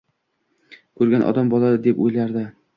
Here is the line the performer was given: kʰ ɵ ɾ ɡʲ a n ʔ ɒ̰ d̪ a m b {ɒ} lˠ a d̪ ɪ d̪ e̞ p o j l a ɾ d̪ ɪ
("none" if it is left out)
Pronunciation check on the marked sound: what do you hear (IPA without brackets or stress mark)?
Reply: ɒ